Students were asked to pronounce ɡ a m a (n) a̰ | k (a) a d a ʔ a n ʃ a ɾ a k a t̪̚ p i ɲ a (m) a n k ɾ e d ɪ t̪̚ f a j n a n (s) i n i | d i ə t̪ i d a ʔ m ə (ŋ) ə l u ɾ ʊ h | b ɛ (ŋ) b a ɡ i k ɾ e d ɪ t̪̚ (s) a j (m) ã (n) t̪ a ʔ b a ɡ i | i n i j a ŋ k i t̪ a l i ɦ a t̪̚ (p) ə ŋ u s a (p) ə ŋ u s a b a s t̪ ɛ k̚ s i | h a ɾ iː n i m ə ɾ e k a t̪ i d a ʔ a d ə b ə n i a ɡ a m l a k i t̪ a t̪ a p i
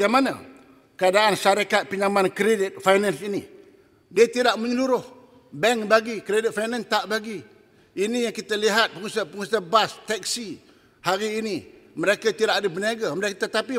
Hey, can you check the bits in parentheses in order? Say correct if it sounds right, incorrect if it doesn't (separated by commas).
correct, incorrect, correct, correct, incorrect, correct, incorrect, incorrect, correct, correct, correct